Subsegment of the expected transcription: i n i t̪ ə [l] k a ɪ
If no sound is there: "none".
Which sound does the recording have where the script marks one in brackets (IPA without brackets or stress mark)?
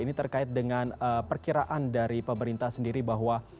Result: r